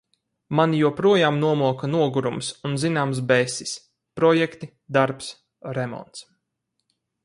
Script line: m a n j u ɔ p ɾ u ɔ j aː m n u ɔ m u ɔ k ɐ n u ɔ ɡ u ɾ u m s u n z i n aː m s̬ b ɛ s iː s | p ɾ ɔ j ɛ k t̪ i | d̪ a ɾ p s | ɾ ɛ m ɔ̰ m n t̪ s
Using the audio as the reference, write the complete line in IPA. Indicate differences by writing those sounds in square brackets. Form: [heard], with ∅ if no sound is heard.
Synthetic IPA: m a n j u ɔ p ɾ u ɔ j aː m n u ɔ m u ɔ k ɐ n u ɔ ɡ u ɾ u m s u n z i n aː m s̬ b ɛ s [i] s | p ɾ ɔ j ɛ k t̪ i | d̪ a ɾ p s | ɾ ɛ m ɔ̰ [∅] n t̪ s

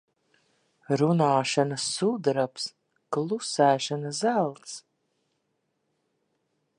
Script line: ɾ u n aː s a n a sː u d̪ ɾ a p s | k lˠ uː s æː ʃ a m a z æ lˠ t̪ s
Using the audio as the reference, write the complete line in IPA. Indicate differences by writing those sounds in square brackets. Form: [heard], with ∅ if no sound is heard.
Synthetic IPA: ɾ u n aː [ʃ] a n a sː u d̪ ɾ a p s | k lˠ [u] s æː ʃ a [n] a z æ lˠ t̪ s

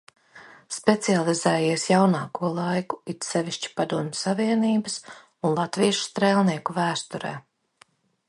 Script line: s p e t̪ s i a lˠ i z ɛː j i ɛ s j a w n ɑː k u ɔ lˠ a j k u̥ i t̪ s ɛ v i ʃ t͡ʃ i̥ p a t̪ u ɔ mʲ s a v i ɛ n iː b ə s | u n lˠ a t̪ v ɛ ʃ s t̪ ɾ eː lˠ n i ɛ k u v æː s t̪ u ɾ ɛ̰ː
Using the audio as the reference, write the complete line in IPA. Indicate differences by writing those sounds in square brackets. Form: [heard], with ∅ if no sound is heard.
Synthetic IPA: s p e t̪ s i a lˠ i z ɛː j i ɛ s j a w n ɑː k u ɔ lˠ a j k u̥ i t̪ s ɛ v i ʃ t͡ʃ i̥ p a [d̪] u ɔ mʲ s a v i ɛ n iː b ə s | u n lˠ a t̪ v [i] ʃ s t̪ ɾ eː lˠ n i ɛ k u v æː s t̪ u ɾ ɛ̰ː

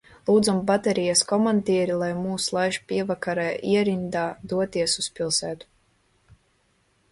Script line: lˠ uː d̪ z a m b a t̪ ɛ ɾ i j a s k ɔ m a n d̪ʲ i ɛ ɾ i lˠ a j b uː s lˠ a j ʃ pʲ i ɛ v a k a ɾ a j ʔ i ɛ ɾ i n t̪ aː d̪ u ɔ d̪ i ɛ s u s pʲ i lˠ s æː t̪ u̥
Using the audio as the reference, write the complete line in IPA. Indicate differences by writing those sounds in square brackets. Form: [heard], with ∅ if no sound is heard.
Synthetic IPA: lˠ uː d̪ z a m b a t̪ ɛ ɾ i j a s k ɔ m a n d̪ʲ i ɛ ɾ i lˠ a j [m] uː s lˠ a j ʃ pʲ i ɛ v a k a ɾ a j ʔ i ɛ ɾ i n [d̪] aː d̪ u ɔ [t̪] i ɛ s u s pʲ i lˠ s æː t̪ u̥

